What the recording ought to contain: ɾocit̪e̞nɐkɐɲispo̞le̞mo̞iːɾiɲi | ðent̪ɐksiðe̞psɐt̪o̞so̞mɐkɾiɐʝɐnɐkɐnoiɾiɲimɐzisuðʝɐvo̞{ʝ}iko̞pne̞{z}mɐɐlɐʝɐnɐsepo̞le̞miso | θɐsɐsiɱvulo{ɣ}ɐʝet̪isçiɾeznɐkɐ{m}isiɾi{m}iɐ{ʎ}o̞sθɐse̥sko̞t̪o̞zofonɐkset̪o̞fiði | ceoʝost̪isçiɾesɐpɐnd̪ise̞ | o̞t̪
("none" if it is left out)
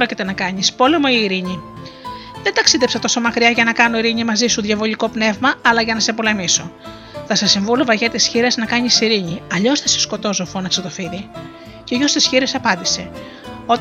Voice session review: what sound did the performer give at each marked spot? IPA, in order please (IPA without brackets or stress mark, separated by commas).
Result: ʎ, v, v, ɲ, ɲ, ʎ